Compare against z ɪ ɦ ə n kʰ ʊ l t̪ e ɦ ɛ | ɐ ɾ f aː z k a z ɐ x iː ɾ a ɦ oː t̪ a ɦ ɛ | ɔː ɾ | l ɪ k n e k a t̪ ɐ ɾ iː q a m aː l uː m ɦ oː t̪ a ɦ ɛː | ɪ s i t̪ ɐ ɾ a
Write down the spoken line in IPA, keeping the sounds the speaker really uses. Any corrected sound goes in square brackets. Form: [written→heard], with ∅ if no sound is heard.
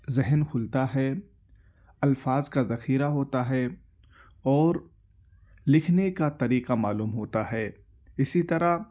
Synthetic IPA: z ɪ ɦ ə n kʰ ʊ l t̪ [e→a] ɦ ɛ | ɐ [ɾ→l] f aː z k a z ɐ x iː ɾ a ɦ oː t̪ a ɦ ɛ | ɔː ɾ | l ɪ [k→kʰ] n e k a t̪ ɐ ɾ iː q a m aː l uː m ɦ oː t̪ a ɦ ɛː | ɪ s i t̪ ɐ ɾ a